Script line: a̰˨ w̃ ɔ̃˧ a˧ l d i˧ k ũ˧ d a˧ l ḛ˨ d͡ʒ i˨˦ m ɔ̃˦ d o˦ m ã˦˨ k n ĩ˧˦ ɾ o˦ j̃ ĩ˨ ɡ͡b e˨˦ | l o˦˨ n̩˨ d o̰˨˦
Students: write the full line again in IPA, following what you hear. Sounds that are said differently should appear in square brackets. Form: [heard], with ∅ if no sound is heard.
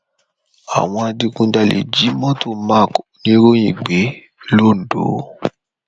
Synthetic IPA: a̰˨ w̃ ɔ̃˧ a˧ [∅] d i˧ k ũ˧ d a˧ l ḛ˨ d͡ʒ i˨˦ m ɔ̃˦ [t] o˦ m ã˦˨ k n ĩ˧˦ ɾ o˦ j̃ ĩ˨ ɡ͡b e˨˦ | l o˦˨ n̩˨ d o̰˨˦